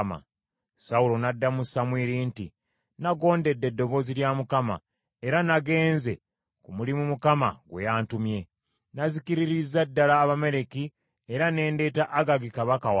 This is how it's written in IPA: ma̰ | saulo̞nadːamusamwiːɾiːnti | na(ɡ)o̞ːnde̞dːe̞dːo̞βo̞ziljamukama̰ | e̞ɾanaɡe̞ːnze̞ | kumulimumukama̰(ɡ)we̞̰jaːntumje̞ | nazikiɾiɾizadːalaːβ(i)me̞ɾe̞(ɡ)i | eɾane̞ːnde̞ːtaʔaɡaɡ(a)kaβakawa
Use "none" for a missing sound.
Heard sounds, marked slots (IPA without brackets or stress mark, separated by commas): ɡ, ɡ, a, k, i